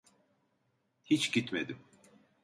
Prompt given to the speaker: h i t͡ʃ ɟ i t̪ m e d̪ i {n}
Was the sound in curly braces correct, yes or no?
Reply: no